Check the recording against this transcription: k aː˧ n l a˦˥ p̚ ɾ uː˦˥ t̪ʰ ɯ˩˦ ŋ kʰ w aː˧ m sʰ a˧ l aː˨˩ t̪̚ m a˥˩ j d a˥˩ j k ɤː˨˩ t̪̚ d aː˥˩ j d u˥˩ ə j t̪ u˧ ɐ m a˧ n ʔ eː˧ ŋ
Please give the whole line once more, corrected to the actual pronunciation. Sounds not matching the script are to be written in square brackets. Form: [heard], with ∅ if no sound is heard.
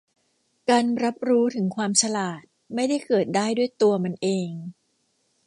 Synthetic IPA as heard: k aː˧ n [ɾ] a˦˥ p̚ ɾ uː˦˥ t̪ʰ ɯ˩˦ ŋ kʰ w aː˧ m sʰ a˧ l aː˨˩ t̪̚ m a˥˩ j d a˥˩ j k ɤː˨˩ t̪̚ d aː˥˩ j d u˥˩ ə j t̪ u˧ ɐ m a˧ n ʔ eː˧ ŋ